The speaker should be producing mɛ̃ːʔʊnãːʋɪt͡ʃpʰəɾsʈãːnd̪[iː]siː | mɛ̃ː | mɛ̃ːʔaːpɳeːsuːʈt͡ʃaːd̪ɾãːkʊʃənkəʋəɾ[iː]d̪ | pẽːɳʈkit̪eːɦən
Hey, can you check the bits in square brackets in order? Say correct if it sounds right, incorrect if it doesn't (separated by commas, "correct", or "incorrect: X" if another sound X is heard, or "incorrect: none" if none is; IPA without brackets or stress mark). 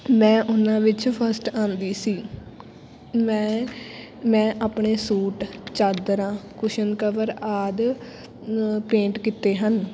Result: correct, incorrect: aː